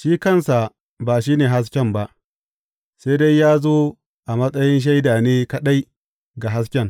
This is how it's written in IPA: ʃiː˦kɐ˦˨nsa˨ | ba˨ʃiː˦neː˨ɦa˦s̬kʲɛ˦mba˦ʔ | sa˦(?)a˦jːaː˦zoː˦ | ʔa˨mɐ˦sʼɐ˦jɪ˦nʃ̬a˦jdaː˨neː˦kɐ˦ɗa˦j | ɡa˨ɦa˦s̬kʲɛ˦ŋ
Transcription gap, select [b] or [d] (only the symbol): d